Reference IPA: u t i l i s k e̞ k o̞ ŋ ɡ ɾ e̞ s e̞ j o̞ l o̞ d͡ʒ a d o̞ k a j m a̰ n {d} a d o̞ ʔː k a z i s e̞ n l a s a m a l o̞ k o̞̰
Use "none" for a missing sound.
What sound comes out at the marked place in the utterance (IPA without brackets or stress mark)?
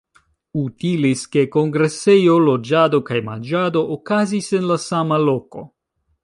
d͡ʒ